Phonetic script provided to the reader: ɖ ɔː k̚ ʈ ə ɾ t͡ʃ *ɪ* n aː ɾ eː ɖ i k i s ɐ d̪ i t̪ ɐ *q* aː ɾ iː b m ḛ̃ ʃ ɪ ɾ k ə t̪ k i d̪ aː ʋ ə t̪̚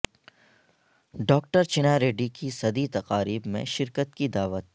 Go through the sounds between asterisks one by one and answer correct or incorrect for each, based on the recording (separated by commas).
correct, correct